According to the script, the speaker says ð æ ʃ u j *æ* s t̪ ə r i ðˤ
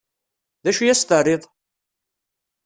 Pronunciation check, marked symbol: correct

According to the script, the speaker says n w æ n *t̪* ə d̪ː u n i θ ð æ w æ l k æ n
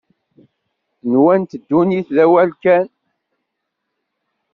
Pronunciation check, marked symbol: correct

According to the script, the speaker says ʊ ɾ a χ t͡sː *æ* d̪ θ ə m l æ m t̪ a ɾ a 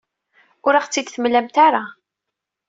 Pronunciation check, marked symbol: incorrect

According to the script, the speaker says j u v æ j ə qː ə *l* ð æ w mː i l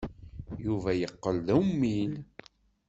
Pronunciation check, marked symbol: correct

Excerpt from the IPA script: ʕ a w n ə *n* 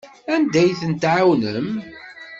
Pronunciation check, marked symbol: incorrect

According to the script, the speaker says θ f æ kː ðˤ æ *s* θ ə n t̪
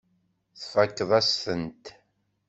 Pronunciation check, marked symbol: correct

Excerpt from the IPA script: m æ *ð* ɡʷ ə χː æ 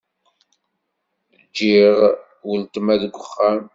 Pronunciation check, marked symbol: correct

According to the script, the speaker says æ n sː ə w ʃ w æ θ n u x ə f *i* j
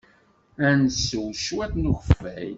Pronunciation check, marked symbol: incorrect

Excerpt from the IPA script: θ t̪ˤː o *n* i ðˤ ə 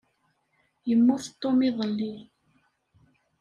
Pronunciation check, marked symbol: incorrect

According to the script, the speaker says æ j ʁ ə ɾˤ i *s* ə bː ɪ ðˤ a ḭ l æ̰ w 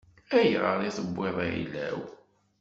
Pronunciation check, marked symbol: incorrect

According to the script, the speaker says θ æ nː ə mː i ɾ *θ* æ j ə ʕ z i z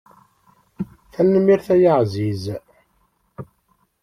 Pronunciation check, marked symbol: correct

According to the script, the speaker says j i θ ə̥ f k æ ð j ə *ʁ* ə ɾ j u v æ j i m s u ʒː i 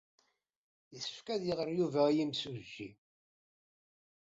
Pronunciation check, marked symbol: correct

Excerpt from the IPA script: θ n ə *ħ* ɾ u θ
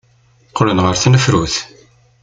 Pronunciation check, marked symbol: incorrect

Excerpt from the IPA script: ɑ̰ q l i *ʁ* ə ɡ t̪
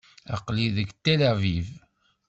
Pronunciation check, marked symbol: incorrect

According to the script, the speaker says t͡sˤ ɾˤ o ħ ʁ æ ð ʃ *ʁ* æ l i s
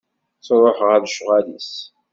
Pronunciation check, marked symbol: correct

